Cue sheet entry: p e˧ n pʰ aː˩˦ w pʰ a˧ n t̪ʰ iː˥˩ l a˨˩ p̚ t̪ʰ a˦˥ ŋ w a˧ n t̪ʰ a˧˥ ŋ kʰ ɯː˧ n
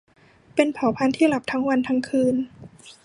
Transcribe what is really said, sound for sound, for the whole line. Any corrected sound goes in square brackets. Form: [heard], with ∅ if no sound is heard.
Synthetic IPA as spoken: p e˧ n pʰ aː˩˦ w pʰ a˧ n t̪ʰ iː˥˩ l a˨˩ p̚ t̪ʰ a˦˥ ŋ w a˧ n t̪ʰ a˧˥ ŋ kʰ ɯː˧ n